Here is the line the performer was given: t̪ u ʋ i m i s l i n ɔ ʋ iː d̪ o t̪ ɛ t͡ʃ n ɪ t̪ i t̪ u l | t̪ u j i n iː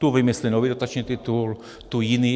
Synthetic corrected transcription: t̪ u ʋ i m i s l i n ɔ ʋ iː d̪ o t̪ a t͡ʃ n i t̪ i t̪ u l | t̪ u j i n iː

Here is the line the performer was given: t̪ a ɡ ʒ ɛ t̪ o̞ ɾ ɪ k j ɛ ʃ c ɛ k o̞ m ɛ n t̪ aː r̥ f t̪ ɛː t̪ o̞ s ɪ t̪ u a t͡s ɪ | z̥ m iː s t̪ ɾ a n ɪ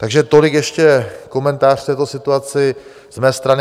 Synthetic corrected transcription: t̪ a ɡ ʒ ɛ t̪ o̞ l ɪ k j ɛ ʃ c ɛ k o̞ m ɛ n t̪ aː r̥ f t̪ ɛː t̪ o̞ s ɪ t̪ u a t͡s ɪ | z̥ m ɛː s t̪ ɾ a n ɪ

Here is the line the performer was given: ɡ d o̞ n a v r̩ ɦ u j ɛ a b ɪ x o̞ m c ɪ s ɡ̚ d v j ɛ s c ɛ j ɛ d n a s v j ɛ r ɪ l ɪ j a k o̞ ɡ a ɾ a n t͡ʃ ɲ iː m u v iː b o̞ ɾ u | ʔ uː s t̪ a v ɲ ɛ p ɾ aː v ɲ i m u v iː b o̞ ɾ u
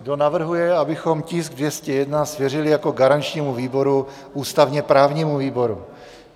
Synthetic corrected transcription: ɡ d o̞ n a v r̩ ɦ u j ɛ a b ɪ x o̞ m c ɪ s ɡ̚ d v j ɛ s c ɛ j ɛ d n a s v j ɛ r ɪ l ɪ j a k o̞ ɡ a ɾ a n t͡ʃ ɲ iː m u v iː b o̞ ɾ u | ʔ uː s t̪ a v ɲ ɛ p ɾ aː v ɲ i m u v iː b o̞ ɾ u

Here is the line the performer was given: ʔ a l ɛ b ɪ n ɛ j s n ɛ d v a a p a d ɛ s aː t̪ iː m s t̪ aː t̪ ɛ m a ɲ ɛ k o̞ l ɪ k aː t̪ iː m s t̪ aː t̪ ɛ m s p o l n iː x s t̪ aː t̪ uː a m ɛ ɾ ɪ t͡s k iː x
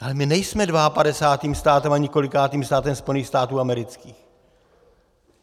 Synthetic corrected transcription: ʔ a l ɛ m ɪ n ɛ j s m ɛ d v a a p a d ɛ s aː t̪ iː m s t̪ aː t̪ ɛ m a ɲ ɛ k o̞ l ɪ k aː t̪ iː m s t̪ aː t̪ ɛ m s p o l n iː x s t̪ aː t̪ uː a m ɛ ɾ ɪ t͡s k iː x

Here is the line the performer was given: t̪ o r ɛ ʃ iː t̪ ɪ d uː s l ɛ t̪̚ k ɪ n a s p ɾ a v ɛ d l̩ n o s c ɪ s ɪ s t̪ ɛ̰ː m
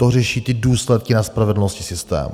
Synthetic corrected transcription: t̪ o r ɛ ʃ iː t̪ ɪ d uː s l ɛ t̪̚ k ɪ n a s p ɾ a v ɛ d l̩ n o s c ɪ s ɪ s t̪ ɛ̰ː m

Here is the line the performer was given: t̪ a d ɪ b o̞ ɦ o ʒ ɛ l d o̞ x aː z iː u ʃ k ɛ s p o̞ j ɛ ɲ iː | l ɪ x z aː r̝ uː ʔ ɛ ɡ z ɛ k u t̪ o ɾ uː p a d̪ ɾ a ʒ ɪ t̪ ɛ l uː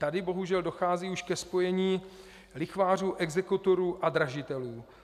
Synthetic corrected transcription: t̪ a d ɪ b o̞ ɦ u ʒ ɛ l d o̞ x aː z iː u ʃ k ɛ s p o̞ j ɛ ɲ iː | l ɪ x v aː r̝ uː ʔ ɛ ɡ z ɛ k u t̪ o ɾ uː ʔ a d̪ ɾ a ʒ ɪ t̪ ɛ l uː

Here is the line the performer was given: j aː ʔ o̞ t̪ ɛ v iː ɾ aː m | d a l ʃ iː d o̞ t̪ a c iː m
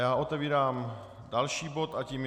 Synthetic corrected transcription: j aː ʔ o̞ t̪ ɛ v iː ɾ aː m | d a l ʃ iː b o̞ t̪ a c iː m

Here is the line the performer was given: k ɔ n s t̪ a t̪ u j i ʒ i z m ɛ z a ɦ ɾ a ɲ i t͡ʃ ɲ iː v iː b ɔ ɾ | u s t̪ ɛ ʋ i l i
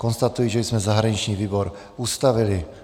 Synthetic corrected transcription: k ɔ n s t̪ a t̪ u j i ʒ ɛ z m ɛ z a ɦ ɾ a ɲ i t͡ʃ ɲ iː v iː b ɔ ɾ | u s t̪ a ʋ i l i

